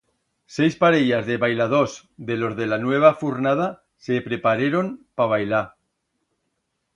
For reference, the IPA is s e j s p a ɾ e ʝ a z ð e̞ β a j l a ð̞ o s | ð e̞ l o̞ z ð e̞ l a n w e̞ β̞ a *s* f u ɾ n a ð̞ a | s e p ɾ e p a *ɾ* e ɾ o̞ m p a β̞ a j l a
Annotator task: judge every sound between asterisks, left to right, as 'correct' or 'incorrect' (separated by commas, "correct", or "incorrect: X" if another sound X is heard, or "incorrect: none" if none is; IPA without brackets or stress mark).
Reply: incorrect: none, correct